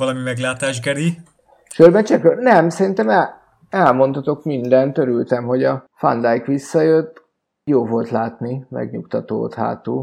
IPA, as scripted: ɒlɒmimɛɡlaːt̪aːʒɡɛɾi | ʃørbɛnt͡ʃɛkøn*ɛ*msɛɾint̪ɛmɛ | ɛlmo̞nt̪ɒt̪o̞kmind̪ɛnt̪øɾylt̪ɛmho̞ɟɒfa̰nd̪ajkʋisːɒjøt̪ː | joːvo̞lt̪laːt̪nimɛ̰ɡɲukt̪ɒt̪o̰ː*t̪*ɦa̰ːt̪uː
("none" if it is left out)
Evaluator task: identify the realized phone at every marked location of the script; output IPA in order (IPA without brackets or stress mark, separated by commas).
ɛ, t̪